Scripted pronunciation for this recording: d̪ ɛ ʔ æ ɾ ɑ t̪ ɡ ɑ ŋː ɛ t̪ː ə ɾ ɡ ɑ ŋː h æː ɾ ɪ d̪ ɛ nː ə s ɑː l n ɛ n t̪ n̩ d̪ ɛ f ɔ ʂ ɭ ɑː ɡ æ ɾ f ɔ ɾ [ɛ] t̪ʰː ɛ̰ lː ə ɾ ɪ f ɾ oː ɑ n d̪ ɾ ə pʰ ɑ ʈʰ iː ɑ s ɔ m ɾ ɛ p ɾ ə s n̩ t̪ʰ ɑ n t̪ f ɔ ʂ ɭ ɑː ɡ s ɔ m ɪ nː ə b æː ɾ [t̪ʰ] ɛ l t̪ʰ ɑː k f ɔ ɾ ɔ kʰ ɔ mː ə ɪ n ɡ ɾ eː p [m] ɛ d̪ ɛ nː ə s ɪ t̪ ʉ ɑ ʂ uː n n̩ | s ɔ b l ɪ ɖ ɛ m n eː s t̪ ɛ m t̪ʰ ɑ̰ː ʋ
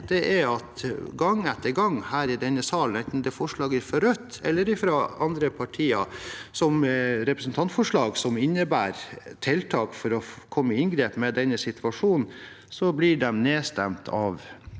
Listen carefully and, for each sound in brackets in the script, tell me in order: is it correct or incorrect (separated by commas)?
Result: incorrect, correct, correct